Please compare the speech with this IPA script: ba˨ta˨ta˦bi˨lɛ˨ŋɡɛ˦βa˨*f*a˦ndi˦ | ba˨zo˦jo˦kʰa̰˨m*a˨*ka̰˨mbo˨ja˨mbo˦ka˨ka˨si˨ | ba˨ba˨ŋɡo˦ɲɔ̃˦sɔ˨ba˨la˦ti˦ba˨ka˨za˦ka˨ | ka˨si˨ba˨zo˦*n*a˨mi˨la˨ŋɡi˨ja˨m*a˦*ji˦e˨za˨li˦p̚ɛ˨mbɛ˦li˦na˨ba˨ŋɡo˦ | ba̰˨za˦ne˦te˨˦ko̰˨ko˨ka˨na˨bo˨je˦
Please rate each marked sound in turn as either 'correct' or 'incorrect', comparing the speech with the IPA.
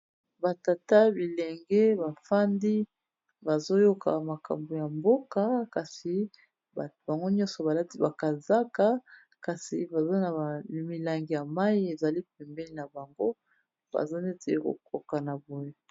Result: correct, correct, correct, correct

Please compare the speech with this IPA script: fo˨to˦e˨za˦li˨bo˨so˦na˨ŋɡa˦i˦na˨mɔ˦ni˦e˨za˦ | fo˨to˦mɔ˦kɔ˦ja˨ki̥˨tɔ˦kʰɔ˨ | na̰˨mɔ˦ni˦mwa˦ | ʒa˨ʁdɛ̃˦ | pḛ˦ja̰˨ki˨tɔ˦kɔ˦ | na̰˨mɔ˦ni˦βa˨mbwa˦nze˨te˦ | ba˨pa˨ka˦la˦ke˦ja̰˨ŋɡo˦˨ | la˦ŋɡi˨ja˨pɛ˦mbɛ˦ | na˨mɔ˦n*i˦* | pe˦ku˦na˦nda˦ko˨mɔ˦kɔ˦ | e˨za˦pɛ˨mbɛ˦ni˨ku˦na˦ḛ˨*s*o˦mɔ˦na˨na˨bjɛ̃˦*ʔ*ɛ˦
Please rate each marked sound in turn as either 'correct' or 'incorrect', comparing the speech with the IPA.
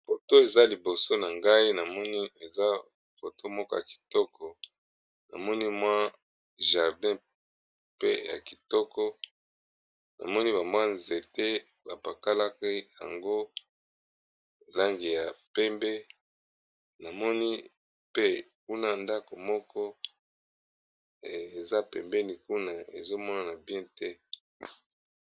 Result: correct, incorrect: z, incorrect: t

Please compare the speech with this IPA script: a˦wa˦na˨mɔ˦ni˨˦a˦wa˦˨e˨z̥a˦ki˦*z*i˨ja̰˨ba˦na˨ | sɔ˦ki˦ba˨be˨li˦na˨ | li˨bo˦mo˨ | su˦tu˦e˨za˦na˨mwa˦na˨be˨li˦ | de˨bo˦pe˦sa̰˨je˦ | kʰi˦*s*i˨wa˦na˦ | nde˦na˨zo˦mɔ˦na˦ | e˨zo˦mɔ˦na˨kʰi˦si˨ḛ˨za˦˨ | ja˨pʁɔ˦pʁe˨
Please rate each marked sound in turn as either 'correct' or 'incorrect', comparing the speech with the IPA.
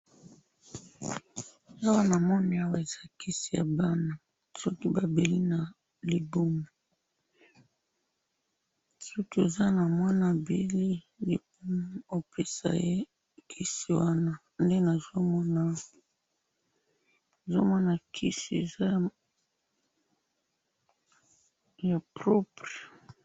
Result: incorrect: s, correct

